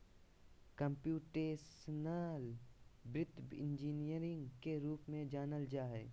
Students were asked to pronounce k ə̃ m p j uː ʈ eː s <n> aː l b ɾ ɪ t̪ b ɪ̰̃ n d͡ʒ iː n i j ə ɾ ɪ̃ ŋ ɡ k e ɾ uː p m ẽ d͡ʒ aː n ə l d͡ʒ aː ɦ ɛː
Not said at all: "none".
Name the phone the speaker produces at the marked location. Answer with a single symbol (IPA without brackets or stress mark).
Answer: n